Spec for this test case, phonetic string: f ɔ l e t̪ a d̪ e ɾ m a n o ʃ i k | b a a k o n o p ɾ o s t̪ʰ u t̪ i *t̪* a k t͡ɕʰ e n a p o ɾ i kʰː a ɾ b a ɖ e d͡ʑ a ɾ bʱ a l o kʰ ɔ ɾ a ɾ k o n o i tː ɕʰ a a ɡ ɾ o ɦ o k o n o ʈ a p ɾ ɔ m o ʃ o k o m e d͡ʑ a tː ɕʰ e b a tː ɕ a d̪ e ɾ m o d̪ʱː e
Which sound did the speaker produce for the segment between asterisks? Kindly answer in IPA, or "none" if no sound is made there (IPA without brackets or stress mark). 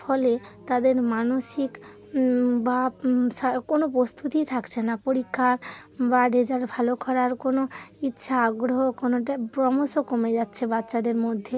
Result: t̪ʰ